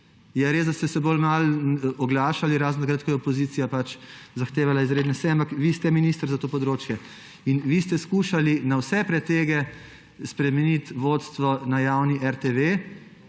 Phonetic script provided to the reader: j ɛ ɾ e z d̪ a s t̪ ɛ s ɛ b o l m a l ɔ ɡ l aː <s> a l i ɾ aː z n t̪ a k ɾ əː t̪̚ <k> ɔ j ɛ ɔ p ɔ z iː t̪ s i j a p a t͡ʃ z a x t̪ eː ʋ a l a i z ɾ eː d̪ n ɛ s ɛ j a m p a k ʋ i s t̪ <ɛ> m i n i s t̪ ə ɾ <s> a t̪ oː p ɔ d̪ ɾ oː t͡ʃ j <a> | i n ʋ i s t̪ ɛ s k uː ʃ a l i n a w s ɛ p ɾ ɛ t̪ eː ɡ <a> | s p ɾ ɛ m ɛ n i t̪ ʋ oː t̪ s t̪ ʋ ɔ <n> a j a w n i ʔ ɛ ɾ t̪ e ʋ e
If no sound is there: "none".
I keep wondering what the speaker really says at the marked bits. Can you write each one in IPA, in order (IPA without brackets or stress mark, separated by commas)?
ʃ, k, ɛ, z, ɛ, ɛ, n